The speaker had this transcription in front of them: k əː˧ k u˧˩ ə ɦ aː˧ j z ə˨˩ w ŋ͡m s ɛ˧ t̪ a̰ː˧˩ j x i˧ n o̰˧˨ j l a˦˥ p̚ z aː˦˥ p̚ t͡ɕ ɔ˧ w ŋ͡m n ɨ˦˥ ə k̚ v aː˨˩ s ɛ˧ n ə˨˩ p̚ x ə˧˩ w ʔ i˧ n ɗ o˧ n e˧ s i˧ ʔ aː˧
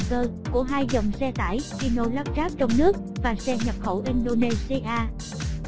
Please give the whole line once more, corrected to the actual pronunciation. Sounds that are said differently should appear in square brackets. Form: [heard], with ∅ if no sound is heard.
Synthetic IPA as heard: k əː˧ k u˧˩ ə ɦ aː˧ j z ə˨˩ w ŋ͡m s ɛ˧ t̪ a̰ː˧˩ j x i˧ n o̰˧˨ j l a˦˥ p̚ z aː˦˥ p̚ t͡ɕ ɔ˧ w ŋ͡m n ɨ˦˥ ə k̚ v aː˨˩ s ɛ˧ [ɲ] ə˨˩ p̚ x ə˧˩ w ʔ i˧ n ɗ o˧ n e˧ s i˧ ʔ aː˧